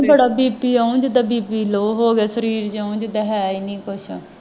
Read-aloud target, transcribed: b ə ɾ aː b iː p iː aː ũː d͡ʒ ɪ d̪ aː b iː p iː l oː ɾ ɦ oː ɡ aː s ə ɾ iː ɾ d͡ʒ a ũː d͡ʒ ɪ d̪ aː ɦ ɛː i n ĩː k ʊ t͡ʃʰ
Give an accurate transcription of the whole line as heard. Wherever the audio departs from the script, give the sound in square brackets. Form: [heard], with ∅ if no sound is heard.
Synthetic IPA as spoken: b ə [ɽ] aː b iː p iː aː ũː d͡ʒ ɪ d̪ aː b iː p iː l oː [∅] ɦ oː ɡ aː s ə ɾ iː ɾ d͡ʒ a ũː d͡ʒ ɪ d̪ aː ɦ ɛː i n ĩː k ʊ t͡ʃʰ

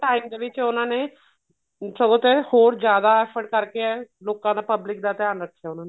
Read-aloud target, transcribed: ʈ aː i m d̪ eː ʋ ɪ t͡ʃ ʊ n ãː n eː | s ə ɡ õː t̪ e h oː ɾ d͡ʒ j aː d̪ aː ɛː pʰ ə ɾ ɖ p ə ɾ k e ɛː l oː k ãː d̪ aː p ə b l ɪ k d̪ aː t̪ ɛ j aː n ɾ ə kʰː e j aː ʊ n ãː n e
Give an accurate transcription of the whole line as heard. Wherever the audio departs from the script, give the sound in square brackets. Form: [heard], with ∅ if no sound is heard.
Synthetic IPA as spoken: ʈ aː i m d̪ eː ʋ ɪ t͡ʃ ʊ n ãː n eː | s ə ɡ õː t̪ e h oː ɾ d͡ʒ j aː d̪ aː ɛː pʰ ə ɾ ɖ [k] ə ɾ k e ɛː l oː k ãː d̪ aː p ə b l ɪ k d̪ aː t̪ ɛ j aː n ɾ ə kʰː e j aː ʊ n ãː n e

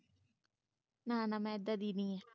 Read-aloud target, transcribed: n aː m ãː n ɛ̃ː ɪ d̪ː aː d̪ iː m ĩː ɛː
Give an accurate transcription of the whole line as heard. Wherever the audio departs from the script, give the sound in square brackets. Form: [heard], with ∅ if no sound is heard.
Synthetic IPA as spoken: n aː [n] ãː [m] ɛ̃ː ɪ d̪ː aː d̪ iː [n] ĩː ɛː

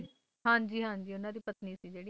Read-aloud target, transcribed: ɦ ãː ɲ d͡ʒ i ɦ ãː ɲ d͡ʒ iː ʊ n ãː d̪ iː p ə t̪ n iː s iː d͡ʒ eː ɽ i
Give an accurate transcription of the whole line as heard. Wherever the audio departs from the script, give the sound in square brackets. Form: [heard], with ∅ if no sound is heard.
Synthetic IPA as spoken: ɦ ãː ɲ d͡ʒ [iː] ɦ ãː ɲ d͡ʒ iː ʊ n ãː d̪ iː p ə t̪ n iː s iː d͡ʒ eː ɽ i

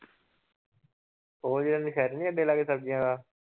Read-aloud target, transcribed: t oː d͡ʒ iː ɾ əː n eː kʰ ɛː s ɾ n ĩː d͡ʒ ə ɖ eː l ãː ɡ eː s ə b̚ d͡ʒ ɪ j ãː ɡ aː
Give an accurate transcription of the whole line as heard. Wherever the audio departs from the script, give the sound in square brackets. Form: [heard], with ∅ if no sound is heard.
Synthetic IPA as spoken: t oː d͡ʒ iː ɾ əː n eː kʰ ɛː [∅] ɾ n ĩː [∅] ə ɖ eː l [aː] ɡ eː s ə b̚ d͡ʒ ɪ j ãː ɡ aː

